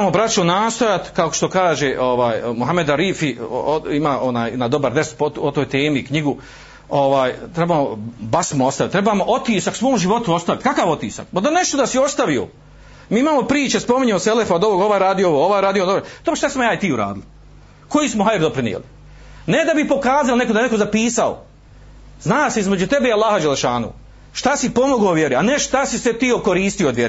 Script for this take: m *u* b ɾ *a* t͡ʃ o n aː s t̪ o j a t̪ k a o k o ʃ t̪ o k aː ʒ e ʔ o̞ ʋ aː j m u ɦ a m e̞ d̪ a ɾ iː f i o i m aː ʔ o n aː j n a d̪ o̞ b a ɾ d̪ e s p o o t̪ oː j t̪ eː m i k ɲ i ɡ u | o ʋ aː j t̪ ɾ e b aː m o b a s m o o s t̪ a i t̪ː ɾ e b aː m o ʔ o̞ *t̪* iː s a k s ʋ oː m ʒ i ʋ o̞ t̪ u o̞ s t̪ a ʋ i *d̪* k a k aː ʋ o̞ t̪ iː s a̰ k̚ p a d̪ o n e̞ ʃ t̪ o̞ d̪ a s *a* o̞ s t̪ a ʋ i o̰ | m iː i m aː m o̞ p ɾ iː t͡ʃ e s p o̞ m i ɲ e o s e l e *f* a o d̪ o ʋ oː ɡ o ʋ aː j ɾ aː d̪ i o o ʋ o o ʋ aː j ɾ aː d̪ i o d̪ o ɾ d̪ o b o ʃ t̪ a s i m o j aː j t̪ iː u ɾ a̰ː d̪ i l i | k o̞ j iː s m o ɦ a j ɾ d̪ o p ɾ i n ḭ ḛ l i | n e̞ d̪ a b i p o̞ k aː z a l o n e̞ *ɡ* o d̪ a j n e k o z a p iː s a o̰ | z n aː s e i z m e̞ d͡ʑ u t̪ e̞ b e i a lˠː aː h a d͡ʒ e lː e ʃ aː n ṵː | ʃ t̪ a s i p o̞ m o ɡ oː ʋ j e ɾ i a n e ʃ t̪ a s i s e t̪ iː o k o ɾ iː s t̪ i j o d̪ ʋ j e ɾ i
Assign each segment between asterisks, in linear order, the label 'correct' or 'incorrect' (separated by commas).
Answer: incorrect, correct, correct, incorrect, incorrect, correct, incorrect